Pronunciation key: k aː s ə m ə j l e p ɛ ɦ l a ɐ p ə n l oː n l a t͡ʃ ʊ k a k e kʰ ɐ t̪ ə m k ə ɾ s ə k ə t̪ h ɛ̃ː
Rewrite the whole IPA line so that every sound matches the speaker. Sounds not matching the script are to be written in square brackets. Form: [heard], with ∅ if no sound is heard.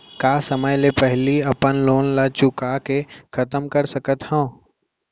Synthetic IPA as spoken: k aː s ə m ə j l e p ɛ ɦ l [i] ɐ p ə n l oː n l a t͡ʃ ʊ k a k e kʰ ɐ t̪ ə m k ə ɾ s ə k ə t̪ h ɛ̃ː